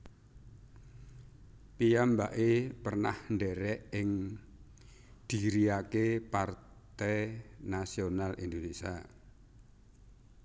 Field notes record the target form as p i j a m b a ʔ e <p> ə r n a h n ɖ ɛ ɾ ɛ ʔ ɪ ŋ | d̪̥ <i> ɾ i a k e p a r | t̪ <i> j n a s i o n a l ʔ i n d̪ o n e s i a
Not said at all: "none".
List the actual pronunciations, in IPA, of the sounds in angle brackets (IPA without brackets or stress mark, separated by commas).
p, i, ɛ